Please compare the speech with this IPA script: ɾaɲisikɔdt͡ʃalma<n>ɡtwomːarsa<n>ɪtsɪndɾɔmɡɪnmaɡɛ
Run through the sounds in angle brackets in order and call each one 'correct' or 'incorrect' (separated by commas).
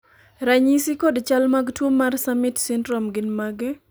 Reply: incorrect, incorrect